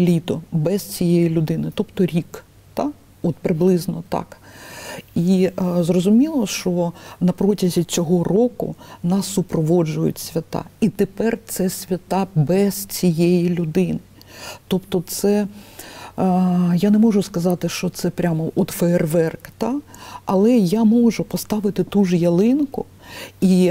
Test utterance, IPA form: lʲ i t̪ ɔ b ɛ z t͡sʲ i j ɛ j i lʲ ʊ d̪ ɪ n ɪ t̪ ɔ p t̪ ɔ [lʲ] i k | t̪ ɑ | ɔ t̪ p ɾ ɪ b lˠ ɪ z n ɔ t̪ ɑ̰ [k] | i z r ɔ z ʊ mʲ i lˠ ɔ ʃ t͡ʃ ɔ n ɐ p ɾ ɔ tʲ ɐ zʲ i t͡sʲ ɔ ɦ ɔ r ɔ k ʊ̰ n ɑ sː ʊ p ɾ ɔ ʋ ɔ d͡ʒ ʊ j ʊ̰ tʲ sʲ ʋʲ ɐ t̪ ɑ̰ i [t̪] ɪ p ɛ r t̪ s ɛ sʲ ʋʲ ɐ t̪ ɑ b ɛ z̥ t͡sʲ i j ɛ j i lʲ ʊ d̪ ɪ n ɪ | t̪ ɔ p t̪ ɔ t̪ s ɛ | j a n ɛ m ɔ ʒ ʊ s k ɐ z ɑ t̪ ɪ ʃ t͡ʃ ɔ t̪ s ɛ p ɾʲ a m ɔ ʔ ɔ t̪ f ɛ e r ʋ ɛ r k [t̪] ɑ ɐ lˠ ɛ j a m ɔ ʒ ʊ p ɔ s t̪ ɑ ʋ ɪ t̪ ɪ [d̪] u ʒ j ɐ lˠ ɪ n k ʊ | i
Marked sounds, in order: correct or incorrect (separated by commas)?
incorrect, correct, correct, correct, incorrect